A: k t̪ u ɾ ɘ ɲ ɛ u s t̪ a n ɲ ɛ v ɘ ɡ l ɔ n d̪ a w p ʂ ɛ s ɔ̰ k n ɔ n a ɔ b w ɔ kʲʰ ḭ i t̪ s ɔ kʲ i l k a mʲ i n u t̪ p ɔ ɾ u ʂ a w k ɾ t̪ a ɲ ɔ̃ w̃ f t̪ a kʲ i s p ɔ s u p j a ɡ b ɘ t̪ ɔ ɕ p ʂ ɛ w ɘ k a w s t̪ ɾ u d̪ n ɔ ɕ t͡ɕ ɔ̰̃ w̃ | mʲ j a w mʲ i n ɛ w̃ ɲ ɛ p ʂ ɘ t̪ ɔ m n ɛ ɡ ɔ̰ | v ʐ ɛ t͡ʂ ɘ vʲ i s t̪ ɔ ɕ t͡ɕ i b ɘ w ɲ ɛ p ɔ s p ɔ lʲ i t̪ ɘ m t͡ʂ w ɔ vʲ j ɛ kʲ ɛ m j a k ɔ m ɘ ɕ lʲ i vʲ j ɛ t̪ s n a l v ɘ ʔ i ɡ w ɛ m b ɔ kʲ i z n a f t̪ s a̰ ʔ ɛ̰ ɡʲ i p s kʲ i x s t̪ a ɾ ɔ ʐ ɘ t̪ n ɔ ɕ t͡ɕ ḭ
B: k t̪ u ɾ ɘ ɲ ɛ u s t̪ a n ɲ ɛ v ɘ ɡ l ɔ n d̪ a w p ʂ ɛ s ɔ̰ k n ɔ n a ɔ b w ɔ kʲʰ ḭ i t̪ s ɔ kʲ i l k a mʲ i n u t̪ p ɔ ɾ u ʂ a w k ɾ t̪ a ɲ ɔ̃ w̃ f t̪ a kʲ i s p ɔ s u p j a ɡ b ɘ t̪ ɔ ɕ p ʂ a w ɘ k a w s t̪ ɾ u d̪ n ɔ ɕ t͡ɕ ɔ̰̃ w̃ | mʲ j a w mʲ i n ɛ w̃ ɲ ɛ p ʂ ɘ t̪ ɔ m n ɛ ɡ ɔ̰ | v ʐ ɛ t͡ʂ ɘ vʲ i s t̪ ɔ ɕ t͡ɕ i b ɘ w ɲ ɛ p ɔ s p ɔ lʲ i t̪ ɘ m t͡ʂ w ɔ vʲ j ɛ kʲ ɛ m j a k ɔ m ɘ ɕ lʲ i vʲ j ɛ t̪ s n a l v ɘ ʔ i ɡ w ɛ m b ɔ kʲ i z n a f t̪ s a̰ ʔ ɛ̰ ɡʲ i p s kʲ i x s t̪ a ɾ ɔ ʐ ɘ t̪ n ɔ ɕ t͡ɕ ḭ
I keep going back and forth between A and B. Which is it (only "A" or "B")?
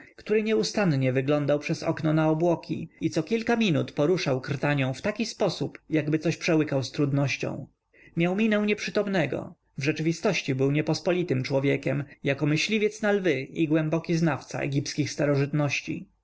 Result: A